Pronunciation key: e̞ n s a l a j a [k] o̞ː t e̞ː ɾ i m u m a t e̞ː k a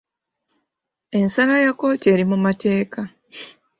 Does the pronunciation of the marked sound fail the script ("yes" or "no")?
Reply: no